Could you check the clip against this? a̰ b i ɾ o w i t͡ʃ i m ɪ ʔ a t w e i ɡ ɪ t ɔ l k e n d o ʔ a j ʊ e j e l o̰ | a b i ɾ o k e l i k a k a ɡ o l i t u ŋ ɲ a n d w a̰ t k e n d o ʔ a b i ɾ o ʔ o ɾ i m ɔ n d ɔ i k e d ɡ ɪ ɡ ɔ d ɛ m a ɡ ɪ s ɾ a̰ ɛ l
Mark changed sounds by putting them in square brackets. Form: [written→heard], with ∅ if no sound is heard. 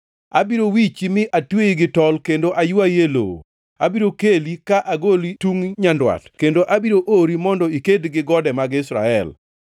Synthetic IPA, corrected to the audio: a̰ b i ɾ o w i t͡ʃ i m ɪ ʔ a t w e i ɡ ɪ t ɔ l k e n d o ʔ a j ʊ [e→a] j e l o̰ | a b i ɾ o k e l i k a [k→ʔ] a ɡ o l i t u ŋ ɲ a n d w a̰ t k e n d o ʔ a b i ɾ o ʔ o ɾ i m ɔ n d ɔ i k e d ɡ ɪ ɡ ɔ d ɛ m a ɡ ɪ s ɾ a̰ ɛ l